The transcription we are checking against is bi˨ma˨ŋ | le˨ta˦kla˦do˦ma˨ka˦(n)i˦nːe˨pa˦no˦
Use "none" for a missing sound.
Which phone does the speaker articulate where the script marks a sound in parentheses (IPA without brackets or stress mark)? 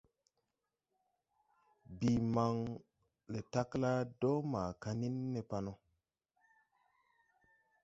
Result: n